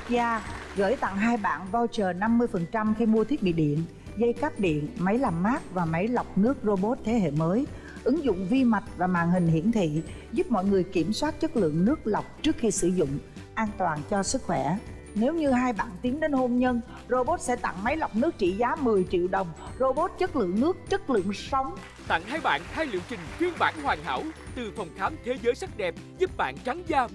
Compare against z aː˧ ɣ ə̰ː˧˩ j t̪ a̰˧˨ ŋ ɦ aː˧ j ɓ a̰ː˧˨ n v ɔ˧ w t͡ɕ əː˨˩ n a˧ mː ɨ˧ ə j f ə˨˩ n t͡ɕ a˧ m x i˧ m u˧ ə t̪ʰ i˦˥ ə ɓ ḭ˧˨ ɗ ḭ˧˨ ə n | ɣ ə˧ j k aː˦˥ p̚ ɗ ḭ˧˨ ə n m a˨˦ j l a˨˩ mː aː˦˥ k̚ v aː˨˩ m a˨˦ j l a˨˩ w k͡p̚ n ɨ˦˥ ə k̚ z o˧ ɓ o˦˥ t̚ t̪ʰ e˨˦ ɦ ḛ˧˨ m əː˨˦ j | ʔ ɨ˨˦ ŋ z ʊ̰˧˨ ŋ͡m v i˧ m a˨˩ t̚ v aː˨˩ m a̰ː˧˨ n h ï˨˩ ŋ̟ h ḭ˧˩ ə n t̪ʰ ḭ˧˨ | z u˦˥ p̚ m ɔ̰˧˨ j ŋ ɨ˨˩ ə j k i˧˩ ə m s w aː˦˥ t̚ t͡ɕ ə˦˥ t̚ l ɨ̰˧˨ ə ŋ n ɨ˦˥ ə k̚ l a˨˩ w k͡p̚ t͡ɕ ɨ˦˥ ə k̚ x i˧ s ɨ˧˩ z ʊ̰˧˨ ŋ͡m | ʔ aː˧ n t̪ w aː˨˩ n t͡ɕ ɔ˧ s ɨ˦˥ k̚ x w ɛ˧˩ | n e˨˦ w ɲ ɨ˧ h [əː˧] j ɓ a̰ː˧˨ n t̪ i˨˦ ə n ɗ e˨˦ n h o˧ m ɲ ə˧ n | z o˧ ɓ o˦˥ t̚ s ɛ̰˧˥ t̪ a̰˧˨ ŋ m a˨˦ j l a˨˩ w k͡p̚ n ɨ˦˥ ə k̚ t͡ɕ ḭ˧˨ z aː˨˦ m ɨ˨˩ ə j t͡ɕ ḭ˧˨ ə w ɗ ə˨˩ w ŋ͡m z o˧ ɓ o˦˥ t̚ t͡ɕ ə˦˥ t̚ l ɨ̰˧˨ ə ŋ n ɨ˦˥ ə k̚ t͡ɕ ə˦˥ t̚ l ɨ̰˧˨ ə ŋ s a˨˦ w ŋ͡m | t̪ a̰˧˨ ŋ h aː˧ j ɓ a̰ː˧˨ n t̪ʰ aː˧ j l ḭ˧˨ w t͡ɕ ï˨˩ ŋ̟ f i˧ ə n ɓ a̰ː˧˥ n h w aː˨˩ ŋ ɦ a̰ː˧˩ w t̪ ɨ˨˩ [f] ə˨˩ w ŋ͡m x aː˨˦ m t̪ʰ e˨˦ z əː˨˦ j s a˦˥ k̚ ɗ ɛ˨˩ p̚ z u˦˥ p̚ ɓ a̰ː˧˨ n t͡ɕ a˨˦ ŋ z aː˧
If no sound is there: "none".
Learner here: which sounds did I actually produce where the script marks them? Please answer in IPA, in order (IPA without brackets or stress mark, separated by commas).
aː˧, f